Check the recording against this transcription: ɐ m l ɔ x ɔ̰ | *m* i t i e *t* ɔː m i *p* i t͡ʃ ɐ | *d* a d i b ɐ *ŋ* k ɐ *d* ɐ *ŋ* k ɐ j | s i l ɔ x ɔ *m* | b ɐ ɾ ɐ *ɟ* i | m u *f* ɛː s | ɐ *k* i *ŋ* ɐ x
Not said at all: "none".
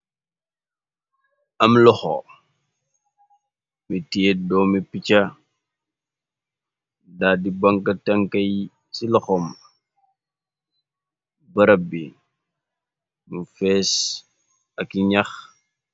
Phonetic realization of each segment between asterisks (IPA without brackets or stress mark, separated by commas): m, d, p, d, ŋ, t, ŋ, m, b, f, k, ɲ